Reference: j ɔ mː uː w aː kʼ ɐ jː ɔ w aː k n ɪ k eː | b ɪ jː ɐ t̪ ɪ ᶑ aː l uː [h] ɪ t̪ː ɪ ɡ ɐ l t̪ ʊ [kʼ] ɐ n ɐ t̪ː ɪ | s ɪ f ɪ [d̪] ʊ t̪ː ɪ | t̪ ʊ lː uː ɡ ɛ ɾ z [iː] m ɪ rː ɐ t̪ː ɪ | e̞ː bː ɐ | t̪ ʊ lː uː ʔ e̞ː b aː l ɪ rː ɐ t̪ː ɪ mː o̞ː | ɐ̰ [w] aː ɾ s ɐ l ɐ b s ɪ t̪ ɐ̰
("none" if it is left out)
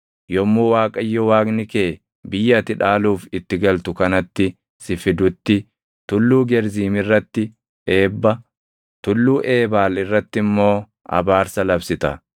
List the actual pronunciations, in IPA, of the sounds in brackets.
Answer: f, k, d̪, iː, b

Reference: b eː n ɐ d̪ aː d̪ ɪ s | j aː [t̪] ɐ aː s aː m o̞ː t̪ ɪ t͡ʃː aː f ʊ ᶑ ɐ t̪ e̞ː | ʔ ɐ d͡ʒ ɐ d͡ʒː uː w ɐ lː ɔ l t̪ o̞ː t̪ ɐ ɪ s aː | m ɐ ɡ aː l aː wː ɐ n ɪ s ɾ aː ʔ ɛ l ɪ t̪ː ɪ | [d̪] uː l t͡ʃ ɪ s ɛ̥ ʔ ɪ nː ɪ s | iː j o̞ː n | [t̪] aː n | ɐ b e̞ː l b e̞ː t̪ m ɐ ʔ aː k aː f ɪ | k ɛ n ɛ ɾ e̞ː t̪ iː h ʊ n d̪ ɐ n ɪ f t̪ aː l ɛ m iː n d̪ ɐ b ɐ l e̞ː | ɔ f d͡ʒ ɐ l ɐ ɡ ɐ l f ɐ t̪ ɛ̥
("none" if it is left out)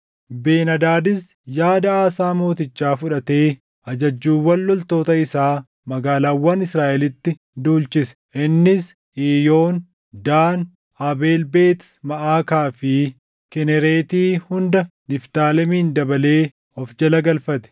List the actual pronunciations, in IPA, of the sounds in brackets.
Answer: d̪, d̪, d̪

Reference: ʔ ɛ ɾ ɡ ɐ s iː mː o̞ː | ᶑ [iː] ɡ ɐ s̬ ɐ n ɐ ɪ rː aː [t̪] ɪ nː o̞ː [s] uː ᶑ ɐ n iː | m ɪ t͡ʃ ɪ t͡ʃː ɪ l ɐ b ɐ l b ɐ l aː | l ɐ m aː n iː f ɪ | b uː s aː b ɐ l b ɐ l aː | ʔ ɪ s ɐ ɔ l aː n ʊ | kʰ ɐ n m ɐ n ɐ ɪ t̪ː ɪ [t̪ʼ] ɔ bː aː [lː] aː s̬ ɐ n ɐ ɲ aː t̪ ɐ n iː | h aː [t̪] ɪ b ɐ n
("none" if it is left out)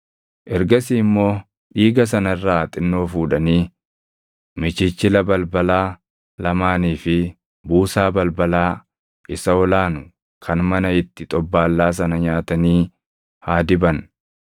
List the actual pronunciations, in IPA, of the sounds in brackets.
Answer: iː, t̪ʼ, f, t̪ʼ, lː, d̪

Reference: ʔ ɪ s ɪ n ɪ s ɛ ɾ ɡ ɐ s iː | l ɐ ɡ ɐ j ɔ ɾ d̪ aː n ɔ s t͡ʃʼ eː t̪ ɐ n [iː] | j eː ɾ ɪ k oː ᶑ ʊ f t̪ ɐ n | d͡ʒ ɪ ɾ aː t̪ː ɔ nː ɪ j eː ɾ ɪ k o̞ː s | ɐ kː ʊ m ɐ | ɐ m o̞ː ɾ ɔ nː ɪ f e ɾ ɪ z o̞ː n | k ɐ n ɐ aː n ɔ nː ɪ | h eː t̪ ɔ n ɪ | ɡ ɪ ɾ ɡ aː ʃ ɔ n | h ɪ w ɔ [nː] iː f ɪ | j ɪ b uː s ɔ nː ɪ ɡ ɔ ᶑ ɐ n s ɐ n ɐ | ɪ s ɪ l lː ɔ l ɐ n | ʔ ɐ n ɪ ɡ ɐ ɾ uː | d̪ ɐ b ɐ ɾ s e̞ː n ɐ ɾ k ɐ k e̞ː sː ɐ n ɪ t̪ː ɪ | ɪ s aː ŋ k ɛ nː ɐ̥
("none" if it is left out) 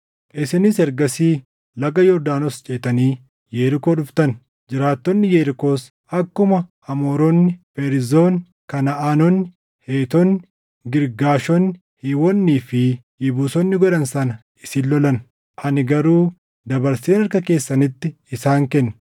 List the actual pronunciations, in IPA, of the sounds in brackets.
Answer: iː, nː

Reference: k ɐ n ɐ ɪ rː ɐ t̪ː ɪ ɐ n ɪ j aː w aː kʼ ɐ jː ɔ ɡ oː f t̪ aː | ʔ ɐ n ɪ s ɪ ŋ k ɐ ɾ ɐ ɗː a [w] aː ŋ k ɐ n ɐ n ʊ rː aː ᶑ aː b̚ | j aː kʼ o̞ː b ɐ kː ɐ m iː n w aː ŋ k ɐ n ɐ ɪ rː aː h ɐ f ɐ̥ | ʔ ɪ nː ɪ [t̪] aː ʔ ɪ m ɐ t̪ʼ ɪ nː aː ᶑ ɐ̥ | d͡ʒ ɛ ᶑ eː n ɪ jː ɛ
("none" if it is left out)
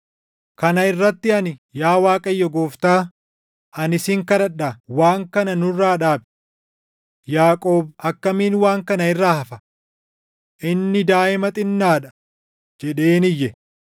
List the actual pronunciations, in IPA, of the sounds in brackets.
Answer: w, d̪

